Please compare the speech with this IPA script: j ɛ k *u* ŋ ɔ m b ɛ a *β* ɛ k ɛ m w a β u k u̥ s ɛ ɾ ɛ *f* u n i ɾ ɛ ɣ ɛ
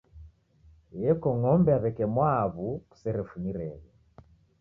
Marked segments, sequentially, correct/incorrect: incorrect, correct, correct

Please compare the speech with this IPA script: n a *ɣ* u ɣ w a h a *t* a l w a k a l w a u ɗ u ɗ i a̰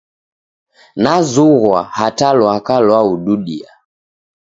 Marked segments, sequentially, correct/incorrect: incorrect, correct

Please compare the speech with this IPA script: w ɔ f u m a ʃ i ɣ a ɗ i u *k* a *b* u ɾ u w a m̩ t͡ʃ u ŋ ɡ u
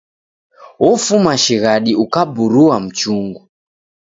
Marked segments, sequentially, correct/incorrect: correct, correct

